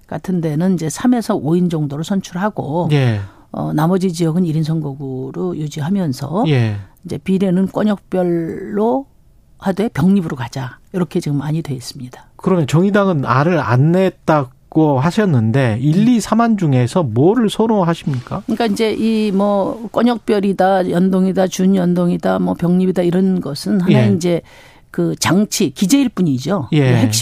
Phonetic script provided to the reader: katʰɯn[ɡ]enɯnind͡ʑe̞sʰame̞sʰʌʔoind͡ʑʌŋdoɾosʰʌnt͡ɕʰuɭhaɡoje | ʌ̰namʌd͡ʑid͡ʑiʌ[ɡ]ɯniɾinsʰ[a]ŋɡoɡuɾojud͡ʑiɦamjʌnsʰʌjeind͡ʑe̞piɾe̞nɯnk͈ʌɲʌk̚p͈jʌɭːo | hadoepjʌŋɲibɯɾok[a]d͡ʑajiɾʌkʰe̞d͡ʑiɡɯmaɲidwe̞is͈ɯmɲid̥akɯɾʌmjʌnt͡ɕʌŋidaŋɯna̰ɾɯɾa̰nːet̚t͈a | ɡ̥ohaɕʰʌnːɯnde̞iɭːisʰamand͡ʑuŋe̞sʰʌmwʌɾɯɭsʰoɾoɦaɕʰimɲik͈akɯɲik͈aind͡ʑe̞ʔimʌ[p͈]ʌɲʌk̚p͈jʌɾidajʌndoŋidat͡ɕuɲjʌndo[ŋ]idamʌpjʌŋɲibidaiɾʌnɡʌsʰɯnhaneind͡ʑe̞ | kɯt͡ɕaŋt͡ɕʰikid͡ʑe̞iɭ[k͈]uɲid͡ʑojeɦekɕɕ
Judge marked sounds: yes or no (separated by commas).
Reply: no, yes, no, yes, no, yes, no